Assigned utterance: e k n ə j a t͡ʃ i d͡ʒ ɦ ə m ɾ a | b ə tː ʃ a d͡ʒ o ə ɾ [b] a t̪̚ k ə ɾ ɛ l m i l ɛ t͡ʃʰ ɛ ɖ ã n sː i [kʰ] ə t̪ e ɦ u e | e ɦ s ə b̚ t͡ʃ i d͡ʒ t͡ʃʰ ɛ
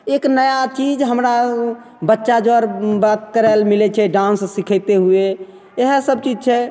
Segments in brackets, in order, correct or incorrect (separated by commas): correct, correct